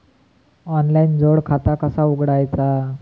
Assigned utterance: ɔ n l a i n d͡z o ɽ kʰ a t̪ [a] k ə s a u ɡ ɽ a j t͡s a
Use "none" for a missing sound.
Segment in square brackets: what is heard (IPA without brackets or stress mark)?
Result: a